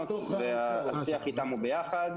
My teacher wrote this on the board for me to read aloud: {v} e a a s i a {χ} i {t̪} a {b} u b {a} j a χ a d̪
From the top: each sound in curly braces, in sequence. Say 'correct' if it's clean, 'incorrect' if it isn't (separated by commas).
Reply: correct, correct, correct, incorrect, incorrect